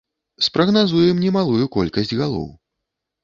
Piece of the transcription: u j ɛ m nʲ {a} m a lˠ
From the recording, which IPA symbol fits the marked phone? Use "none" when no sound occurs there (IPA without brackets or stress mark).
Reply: ɛ